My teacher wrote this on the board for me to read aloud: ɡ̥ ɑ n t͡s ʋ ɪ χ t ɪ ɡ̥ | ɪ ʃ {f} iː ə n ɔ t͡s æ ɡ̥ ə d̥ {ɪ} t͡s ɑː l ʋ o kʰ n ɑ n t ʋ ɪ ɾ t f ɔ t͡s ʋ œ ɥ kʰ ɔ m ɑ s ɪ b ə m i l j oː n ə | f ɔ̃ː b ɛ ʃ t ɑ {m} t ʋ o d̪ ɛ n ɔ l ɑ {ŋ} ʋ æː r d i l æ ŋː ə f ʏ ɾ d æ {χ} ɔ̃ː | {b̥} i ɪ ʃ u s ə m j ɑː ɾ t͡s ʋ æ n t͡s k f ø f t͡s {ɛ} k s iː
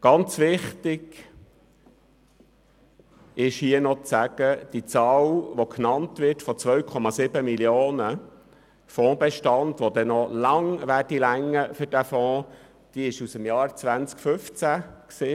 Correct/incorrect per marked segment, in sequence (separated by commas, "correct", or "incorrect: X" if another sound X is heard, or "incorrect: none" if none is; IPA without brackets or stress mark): incorrect: h, incorrect: i, incorrect: n, correct, incorrect: f, incorrect: d̥, incorrect: æ